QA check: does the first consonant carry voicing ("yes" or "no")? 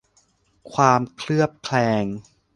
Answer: no